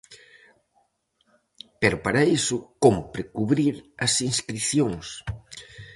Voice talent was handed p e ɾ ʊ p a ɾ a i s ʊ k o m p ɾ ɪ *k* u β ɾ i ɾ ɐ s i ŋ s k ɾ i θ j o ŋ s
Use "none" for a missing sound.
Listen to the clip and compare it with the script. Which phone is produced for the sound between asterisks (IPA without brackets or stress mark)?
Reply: k